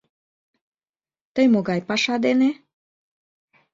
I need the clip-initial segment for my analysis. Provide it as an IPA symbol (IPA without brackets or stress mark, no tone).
t̪